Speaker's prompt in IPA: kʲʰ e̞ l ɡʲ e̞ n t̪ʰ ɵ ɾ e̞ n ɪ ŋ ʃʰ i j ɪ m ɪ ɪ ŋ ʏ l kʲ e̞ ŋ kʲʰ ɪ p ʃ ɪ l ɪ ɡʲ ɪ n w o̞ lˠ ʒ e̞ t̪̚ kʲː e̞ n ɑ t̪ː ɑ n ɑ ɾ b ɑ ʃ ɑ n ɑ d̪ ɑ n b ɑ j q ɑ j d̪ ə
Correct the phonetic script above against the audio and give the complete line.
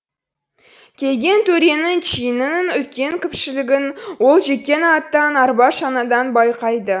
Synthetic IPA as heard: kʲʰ e̞ l ɡʲ e̞ n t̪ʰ ɵ ɾ e̞ n ɪ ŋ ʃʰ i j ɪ n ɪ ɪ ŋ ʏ l kʲ e̞ ŋ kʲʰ ɪ p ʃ ɪ l ɪ ɡʲ ɪ n w o̞ lˠ ʒ e̞ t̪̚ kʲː e̞ n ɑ t̪ː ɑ n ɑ ɾ b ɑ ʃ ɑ n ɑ d̪ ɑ n b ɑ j q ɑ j d̪ ə